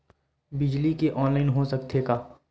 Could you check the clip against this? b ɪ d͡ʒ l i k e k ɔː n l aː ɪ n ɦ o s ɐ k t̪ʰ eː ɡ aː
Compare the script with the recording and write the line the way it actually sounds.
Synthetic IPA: b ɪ d͡ʒ l i k e ʔ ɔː n l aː ɪ n ɦ o s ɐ k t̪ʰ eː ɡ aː